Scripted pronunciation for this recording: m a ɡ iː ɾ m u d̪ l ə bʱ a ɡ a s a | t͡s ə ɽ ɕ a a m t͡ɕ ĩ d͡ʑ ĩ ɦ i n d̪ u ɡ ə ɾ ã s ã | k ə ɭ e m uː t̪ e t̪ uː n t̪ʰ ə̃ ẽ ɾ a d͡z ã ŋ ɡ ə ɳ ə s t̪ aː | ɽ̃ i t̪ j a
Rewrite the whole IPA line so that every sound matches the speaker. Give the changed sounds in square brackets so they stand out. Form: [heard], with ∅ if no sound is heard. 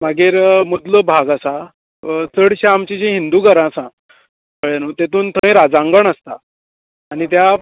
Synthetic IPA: m a ɡ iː ɾ m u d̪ l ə bʱ a ɡ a s a | t͡s ə ɽ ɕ a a m t͡ɕ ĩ d͡ʑ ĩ ɦ i n d̪ u ɡ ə ɾ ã s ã | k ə ɭ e [n] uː t̪ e t̪ uː n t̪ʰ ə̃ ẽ ɾ a d͡z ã ŋ ɡ ə ɳ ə s t̪ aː | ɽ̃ i t̪ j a